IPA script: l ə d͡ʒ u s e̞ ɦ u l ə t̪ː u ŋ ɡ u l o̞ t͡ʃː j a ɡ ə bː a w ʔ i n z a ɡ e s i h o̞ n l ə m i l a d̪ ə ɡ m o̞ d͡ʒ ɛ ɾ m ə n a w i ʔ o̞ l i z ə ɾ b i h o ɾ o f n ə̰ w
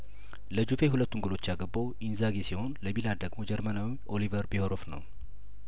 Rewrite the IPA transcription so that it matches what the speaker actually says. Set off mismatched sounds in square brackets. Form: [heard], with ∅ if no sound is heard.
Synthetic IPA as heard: l ə d͡ʒ u [f] e̞ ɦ u l ə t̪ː u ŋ ɡ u l o̞ t͡ʃː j a ɡ ə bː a w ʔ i n z a ɡ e s i h o̞ n l ə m i l a d̪ ə ɡ m o̞ d͡ʒ ɛ ɾ m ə n a w i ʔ o̞ l i [v] ə ɾ b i h o ɾ o f n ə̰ w